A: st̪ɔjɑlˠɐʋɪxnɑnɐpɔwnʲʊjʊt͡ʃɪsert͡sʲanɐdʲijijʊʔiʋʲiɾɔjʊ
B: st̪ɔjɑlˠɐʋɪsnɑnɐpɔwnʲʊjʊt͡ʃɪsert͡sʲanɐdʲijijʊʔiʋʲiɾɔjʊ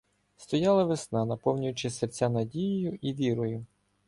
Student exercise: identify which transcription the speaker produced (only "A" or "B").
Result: B